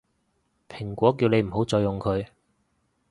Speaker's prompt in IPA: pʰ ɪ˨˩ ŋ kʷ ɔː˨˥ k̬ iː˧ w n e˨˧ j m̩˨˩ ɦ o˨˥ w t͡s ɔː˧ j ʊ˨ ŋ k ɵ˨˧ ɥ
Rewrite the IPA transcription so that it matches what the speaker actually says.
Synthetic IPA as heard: pʰ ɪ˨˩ ŋ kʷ ɔː˨˥ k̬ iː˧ w n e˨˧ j m̩˨˩ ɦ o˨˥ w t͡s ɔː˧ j ʊ˨ ŋ kʰ ɵ˨˧ ɥ